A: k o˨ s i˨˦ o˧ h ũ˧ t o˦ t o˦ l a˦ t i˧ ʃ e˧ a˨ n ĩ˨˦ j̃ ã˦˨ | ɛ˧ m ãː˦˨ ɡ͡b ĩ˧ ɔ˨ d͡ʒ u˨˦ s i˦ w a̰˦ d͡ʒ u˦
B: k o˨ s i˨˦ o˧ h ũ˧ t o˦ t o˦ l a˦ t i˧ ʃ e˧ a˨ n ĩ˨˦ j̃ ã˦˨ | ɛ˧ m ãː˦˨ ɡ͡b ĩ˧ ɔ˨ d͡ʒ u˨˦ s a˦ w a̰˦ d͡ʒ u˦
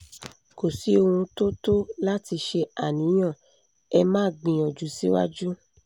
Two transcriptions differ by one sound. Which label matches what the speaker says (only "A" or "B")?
A